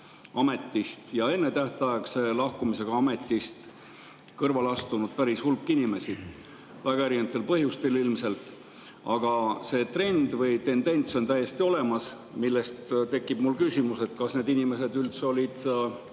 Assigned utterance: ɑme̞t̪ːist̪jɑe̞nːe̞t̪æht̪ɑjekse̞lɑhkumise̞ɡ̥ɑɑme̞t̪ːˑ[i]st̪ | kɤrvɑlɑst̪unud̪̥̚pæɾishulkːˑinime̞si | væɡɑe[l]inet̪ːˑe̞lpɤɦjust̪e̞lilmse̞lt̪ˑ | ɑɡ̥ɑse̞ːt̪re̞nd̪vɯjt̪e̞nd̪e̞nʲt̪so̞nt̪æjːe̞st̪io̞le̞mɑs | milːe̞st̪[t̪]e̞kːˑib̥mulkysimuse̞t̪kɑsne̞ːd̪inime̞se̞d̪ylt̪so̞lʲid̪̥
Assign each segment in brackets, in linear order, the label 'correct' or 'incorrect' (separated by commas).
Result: correct, incorrect, correct